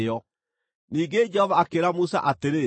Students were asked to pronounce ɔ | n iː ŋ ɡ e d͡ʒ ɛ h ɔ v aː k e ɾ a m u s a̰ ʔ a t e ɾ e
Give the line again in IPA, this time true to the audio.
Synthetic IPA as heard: ɔ | n iː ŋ ɡ e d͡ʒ ɛ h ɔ v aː k e ɾ a m u s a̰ ʔ a t e ɾ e